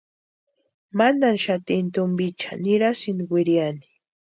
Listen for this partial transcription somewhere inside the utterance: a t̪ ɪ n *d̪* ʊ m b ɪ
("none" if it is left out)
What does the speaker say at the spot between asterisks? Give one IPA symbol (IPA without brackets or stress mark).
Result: t̪